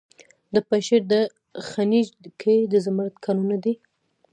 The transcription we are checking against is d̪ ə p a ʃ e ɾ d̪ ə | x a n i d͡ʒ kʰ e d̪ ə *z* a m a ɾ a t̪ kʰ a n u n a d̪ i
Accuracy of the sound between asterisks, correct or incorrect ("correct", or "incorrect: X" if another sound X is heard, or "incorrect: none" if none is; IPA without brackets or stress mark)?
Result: correct